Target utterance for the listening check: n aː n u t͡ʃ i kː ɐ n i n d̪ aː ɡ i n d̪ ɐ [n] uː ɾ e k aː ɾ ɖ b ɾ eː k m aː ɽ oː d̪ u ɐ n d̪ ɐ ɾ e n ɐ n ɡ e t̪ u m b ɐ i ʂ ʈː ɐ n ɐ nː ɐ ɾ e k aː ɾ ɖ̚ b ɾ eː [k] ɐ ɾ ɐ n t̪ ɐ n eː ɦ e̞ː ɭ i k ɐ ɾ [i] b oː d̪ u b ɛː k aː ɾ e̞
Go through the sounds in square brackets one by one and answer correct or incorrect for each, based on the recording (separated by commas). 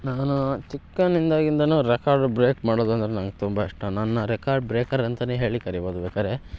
correct, correct, correct